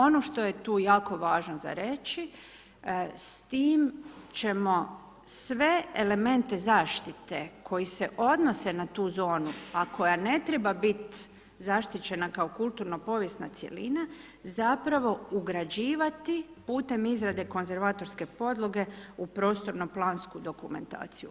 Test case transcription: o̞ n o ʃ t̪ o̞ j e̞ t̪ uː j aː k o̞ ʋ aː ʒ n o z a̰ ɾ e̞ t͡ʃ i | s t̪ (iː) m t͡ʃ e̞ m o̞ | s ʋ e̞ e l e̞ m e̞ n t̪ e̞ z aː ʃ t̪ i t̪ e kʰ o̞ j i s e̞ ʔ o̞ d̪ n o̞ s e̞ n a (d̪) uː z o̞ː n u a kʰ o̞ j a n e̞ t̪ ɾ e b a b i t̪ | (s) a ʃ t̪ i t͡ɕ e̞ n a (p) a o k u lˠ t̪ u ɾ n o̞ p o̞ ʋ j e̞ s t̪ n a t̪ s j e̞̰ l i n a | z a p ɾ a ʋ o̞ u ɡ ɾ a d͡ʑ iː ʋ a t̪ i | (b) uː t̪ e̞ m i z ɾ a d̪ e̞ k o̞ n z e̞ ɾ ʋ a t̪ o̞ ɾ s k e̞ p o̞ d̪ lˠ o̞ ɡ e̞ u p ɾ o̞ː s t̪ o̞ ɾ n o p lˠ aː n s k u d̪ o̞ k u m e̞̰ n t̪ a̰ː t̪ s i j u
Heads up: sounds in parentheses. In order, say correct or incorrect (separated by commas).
correct, incorrect, incorrect, incorrect, incorrect